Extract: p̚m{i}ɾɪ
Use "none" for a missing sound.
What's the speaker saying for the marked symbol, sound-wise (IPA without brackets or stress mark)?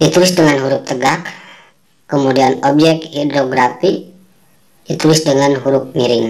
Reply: i